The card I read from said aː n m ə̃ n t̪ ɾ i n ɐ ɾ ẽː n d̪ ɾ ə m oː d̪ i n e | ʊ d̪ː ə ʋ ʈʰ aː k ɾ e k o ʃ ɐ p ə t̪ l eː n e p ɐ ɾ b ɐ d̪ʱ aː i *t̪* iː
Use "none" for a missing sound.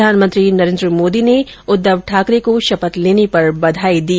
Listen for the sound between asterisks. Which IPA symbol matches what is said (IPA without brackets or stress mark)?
d̪